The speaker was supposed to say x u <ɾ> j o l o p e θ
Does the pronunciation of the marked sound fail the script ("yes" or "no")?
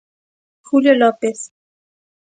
yes